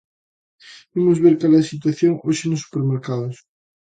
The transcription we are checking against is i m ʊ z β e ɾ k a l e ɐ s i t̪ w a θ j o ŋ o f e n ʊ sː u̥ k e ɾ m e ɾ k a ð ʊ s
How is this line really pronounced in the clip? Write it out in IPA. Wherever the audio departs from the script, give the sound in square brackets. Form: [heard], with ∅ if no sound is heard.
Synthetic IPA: i m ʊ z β e ɾ k a l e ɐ s i t̪ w a θ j o ŋ o [ʃ] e n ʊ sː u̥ [p] e ɾ m e ɾ k a ð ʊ s